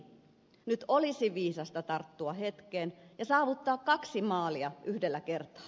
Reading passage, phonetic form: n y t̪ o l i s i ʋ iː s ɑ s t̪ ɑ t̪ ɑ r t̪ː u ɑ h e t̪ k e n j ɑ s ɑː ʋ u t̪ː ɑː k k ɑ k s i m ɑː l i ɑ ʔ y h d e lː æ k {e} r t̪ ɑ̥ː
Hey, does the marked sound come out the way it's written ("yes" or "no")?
yes